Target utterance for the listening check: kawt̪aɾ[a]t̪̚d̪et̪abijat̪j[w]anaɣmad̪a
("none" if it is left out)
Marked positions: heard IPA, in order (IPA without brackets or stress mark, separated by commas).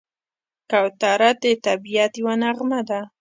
a, w